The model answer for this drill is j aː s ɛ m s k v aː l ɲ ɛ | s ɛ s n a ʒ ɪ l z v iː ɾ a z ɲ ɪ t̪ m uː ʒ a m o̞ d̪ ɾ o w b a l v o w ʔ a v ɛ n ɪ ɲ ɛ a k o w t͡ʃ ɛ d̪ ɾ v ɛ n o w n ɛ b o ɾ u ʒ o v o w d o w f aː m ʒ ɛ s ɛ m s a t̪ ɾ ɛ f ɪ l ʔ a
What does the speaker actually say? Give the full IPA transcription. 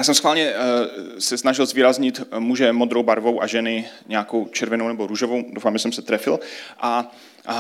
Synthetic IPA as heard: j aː s ɛ m s x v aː l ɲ ɛ | s ɛ s n a ʒ ɪ l z v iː ɾ a z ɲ ɪ t̪ m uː ʒ ɛ m o̞ d̪ ɾ o w b a ɾ v o w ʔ a ʒ ɛ n ɪ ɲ ɛ a k o w t͡ʃ ɛ ɾ v ɛ n o w n ɛ b o ɾ u ʒ o v o w d o w f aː m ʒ ɛ s ɛ m s ɛ t̪ ɾ ɛ f ɪ l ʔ a